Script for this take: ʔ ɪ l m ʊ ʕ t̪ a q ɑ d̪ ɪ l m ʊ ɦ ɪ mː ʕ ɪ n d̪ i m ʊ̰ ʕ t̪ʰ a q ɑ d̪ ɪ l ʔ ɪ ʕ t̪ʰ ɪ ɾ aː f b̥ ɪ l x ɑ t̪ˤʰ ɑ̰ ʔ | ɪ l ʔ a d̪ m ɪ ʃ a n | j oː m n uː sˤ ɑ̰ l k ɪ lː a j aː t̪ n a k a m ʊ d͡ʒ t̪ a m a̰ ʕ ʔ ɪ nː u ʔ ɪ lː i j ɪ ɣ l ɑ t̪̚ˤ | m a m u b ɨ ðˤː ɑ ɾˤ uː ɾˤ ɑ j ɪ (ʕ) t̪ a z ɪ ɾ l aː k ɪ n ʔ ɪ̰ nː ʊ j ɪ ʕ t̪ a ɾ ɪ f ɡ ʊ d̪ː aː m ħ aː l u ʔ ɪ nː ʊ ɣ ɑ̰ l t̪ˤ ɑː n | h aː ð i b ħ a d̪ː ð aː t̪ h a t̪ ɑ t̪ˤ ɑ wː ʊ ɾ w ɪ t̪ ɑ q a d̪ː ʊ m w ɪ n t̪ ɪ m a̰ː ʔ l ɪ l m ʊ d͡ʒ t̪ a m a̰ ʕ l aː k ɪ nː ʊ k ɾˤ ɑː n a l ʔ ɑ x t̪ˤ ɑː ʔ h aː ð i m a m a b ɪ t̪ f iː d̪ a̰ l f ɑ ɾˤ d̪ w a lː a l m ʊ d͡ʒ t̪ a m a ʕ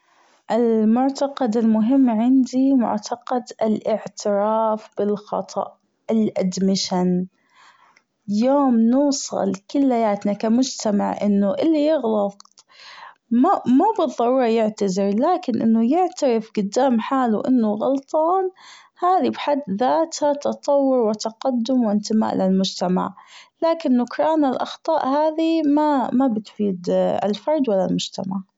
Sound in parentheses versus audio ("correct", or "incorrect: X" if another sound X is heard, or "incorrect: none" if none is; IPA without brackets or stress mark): correct